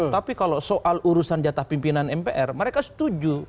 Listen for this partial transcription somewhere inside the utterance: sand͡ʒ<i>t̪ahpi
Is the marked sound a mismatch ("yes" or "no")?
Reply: yes